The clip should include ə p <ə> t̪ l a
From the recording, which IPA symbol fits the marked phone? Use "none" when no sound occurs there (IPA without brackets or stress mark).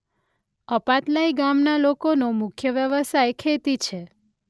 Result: a